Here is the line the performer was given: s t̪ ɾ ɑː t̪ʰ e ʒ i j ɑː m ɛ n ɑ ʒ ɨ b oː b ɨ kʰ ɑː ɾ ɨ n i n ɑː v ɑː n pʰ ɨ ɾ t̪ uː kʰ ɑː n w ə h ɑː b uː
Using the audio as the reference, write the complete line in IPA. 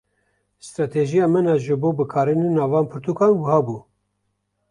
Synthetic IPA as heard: s t̪ ɾ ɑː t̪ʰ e ʒ i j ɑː m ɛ n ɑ ʒ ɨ b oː b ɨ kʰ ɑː ɾ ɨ n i n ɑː v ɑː n pʰ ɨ ɾ t̪ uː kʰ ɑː n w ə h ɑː b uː